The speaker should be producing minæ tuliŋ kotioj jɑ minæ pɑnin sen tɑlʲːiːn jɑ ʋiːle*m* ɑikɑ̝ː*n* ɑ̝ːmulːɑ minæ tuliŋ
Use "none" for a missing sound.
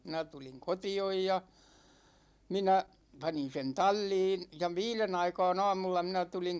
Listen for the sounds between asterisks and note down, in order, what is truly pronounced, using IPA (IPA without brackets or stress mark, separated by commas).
n, n